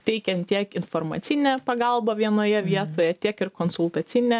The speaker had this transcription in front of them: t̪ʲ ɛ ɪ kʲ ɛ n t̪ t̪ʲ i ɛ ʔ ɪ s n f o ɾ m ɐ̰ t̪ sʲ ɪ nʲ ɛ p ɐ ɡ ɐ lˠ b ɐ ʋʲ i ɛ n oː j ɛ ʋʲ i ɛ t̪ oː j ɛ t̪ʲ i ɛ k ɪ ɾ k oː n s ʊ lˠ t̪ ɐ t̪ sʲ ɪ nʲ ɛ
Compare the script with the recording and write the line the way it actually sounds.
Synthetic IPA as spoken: t̪ʲ ɛ ɪ kʲ ɛ n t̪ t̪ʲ i ɛ k ɪ n f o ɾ m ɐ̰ t̪ sʲ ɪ nʲ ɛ p ɐ ɡ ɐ lˠ b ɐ ʋʲ i ɛ n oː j ɛ ʋʲ i ɛ t̪ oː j ɛ t̪ʲ i ɛ k ɪ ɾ k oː n s ʊ lˠ t̪ ɐ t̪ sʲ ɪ nʲ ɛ